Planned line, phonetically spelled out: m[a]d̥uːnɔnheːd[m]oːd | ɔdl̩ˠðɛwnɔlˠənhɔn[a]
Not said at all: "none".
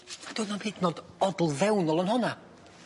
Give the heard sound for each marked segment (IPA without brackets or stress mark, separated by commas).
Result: a, n, a